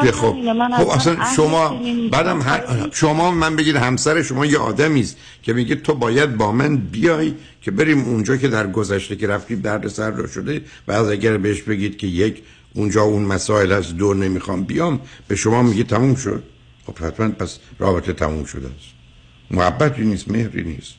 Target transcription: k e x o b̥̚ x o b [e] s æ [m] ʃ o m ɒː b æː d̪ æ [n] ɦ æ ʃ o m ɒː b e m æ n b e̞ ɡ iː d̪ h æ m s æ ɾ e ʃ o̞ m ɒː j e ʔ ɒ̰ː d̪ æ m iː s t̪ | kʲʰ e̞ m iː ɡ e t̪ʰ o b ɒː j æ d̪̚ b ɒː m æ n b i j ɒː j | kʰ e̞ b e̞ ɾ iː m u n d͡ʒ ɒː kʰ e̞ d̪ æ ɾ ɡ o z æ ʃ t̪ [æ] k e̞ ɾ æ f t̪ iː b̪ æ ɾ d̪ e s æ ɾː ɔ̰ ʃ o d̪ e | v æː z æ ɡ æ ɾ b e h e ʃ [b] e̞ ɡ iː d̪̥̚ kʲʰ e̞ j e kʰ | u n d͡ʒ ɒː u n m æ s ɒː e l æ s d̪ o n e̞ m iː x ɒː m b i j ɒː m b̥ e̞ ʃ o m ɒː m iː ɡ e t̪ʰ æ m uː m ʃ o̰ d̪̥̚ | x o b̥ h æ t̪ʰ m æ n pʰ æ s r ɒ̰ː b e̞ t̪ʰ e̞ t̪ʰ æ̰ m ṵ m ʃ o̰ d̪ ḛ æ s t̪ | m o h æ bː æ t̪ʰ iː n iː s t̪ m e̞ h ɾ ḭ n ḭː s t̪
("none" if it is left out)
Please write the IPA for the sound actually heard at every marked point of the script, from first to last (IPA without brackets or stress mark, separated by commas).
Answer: æ, n, m, e, b